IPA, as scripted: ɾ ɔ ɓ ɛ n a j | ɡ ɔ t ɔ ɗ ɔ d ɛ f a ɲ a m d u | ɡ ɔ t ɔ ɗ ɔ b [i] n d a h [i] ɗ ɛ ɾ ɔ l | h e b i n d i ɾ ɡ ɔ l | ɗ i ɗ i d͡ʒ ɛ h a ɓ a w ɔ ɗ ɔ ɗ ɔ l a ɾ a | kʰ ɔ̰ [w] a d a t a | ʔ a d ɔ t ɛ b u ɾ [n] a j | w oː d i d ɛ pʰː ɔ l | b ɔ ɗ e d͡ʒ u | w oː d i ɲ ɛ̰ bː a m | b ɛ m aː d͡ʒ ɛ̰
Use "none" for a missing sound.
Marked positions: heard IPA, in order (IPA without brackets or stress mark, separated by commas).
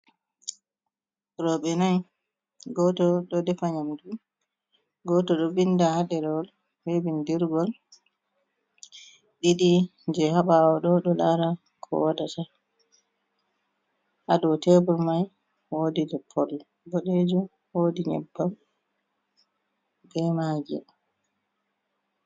i, a, w, m